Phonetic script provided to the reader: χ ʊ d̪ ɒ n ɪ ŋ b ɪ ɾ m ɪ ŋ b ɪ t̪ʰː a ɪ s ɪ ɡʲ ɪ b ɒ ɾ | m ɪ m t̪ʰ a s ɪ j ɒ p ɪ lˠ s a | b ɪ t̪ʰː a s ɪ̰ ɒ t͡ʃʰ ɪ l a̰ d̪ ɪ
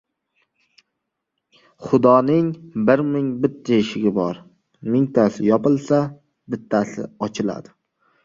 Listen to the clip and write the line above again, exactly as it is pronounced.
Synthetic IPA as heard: χ ʊ d̪ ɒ n ɪ ŋ b ɪ ɾ m ɪ ŋ b ɪ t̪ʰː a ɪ ʃ ɪ ɡʲ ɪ b ɒ ɾ | m ɪ ŋ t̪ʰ a s ɪ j ɒ p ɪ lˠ s a | b ɪ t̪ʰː a s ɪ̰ ɒ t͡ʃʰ ɪ l a̰ d̪ ɪ